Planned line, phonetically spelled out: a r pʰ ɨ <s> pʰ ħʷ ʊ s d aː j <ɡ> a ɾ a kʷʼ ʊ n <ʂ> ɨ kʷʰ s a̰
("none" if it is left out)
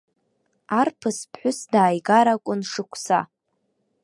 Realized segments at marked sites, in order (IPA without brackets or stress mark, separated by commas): s, ɡ, ʂ